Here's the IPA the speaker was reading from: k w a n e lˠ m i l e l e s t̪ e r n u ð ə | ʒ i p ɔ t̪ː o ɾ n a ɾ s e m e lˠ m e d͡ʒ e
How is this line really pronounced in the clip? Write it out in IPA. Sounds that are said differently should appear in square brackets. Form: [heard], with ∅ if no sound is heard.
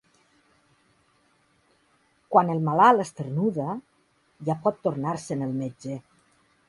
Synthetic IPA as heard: k w a n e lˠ m [a] l [a] l e s t̪ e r n u ð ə | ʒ [a] p ɔ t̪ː o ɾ n a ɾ s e [n] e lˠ m e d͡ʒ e